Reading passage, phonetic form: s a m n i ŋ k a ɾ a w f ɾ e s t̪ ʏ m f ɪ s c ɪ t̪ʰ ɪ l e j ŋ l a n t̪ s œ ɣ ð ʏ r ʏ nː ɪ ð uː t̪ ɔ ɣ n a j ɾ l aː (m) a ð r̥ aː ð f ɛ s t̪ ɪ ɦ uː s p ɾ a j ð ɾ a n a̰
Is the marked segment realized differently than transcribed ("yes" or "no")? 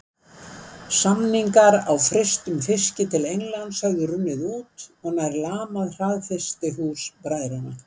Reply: no